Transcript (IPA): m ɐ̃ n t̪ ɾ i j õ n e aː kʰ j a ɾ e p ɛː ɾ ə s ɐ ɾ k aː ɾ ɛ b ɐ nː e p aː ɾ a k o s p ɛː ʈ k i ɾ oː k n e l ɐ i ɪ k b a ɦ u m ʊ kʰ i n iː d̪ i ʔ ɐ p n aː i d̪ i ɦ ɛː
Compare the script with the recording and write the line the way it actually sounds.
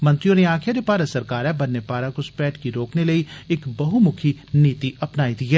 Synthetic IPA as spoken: m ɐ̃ n t̪ ɾ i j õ n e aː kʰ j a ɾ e p aː ɾ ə s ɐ ɾ k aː ɾ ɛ b ɐ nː e p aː ɾ a k o s p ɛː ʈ k i ɾ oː k n e l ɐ i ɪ k b ɐ ɦ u m ʊ kʰ i n iː t̪ i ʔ ɐ p n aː i d̪ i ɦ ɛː